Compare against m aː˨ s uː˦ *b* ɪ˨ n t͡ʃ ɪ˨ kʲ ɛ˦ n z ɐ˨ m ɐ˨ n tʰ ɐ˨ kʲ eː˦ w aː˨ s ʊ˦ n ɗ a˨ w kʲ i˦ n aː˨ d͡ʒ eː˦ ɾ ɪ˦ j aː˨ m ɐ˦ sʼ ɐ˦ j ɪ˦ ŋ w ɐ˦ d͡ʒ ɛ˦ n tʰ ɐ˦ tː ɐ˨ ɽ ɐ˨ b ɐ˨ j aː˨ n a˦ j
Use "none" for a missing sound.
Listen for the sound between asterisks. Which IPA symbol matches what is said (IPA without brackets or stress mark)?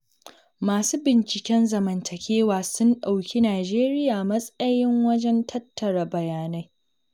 b